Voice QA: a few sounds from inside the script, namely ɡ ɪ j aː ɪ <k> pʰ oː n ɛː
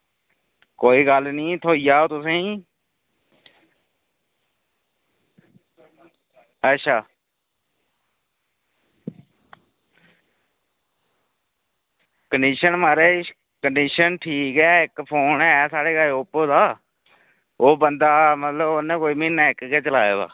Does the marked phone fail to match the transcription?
no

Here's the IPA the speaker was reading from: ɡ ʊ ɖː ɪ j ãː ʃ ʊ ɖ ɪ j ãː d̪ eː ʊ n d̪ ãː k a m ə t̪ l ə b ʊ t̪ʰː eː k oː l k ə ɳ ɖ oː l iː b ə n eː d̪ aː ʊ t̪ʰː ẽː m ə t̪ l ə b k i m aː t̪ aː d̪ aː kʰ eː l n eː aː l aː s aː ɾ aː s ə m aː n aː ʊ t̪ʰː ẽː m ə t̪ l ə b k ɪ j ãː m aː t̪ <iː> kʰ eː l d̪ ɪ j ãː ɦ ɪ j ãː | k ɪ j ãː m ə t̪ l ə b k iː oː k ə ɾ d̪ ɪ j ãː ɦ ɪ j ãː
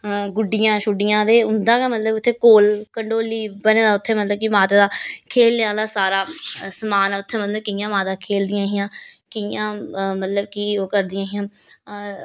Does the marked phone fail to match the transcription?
yes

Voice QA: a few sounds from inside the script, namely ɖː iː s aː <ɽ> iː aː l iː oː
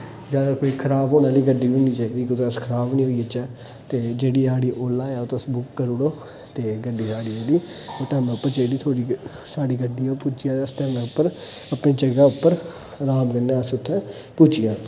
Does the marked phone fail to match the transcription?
no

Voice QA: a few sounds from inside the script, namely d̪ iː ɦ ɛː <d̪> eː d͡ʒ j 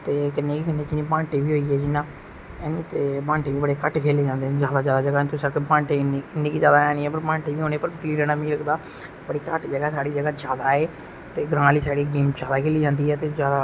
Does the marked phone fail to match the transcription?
yes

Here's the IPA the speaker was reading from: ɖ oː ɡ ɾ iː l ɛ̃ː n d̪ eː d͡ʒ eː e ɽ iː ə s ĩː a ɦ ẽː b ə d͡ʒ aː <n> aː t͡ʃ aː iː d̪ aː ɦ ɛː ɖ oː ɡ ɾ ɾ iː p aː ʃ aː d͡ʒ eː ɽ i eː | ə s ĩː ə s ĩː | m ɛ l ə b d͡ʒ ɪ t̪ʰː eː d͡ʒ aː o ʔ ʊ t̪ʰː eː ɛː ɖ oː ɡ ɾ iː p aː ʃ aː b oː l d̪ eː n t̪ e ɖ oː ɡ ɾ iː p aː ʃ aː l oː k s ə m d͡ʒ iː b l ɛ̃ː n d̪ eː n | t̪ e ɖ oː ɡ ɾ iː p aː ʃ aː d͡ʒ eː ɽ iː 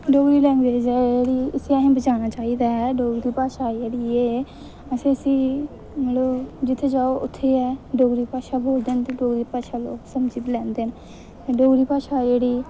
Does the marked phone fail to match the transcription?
no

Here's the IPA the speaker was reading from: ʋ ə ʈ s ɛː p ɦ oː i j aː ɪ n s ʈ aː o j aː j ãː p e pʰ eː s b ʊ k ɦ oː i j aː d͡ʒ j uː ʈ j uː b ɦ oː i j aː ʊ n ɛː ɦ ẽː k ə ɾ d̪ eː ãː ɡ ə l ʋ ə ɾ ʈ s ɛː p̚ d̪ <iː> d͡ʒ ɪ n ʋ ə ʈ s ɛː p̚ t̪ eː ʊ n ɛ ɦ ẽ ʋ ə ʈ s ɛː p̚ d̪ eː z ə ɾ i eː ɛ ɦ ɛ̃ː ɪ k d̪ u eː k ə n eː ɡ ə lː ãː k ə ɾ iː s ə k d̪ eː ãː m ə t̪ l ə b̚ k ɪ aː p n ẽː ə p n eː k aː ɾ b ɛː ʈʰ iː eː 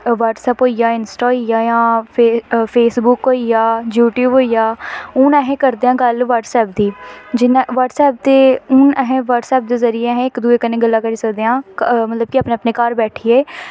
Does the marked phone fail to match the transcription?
no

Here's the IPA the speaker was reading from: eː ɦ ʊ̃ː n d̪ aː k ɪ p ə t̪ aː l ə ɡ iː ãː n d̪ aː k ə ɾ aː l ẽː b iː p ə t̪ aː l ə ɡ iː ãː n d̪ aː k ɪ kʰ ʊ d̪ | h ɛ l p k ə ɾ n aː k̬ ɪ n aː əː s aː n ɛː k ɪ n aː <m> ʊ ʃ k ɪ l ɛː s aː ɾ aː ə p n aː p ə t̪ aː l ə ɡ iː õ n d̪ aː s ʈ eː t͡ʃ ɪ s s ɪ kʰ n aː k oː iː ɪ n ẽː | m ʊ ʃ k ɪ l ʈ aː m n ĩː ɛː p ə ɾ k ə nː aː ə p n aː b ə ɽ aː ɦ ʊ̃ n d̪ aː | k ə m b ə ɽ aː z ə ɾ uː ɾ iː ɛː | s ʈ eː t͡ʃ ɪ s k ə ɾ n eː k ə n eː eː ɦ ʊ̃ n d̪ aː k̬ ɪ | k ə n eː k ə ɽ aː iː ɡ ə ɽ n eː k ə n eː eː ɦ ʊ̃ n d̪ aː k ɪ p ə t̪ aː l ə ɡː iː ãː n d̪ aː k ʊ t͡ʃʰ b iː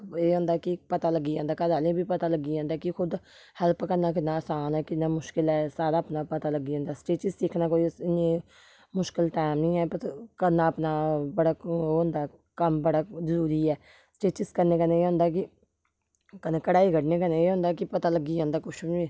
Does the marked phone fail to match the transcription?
no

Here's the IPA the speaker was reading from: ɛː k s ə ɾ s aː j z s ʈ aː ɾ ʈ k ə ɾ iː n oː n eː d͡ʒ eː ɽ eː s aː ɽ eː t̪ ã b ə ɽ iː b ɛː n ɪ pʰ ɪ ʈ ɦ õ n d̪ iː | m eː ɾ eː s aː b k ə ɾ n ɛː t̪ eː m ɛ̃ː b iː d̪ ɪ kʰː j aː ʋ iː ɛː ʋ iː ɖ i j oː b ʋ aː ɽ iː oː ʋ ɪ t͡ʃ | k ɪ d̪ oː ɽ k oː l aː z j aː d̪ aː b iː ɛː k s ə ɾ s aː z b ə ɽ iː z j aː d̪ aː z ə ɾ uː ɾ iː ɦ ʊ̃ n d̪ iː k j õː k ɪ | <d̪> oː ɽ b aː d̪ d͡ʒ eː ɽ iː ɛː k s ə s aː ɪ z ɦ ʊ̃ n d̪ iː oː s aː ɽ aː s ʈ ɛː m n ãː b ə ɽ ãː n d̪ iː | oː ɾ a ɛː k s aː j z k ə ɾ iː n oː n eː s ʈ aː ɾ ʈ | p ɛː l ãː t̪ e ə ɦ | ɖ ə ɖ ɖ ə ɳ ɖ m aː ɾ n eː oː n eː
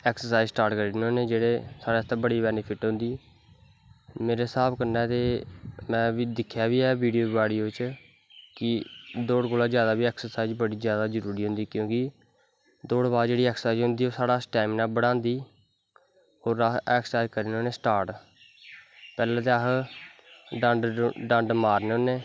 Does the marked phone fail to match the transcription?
no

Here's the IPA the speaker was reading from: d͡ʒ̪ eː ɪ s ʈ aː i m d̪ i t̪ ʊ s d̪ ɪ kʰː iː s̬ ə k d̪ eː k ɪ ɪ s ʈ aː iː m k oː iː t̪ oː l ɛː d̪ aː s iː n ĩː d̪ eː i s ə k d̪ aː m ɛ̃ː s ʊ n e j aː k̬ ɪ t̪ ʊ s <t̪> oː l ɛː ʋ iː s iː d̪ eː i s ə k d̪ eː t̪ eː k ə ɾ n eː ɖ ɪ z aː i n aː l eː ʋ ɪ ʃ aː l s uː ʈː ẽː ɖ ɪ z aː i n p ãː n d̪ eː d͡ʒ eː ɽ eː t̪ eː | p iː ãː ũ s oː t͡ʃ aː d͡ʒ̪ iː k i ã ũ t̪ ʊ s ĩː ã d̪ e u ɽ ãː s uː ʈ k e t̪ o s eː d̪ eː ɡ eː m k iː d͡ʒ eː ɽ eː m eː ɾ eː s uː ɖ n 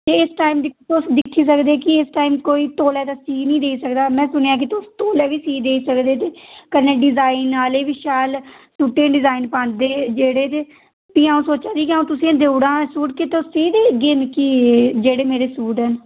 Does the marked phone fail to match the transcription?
no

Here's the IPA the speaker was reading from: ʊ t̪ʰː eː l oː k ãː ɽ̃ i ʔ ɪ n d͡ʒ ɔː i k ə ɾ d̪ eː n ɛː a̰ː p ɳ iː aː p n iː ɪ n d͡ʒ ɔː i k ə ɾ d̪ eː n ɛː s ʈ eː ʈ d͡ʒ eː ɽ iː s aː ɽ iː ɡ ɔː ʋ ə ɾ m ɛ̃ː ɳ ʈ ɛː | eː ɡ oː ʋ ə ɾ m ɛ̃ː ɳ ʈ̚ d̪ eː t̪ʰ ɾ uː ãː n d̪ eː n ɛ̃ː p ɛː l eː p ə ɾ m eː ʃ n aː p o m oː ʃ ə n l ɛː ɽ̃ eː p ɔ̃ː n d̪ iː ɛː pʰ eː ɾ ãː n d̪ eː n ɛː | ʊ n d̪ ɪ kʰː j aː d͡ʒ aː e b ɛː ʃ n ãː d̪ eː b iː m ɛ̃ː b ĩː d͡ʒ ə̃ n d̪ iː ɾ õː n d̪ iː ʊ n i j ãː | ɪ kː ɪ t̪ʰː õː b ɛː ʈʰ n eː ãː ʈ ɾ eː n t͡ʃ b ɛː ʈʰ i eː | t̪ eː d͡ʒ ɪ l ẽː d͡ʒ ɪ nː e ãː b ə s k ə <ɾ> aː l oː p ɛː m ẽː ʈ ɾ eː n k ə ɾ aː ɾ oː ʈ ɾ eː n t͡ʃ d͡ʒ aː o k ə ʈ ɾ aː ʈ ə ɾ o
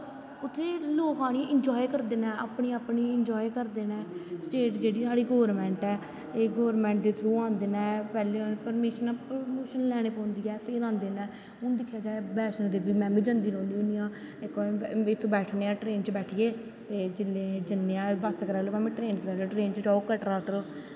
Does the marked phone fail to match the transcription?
no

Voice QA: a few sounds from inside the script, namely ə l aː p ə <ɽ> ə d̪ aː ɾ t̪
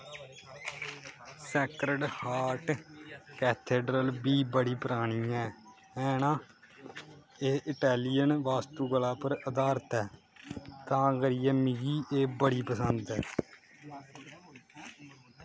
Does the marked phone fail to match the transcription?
yes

